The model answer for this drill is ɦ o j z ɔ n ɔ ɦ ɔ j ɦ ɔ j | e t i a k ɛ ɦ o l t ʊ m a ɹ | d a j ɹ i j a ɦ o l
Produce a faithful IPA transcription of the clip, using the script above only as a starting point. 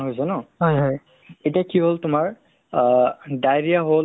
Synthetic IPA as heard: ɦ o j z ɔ n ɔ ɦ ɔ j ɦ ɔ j | e t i a k i ɦ o l t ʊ m a ɹ | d a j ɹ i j a ɦ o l